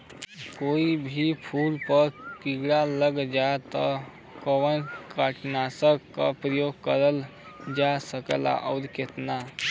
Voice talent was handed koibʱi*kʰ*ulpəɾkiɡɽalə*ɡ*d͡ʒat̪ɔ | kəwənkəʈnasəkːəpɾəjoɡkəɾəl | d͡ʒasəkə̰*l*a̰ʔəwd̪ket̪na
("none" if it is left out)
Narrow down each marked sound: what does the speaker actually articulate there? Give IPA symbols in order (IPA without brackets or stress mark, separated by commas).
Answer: pʰ, ɡ, l